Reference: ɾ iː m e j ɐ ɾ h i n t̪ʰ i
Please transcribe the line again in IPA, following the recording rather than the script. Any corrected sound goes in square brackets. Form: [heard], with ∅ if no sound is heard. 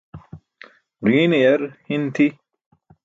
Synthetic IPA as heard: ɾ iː [n] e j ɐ ɾ h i n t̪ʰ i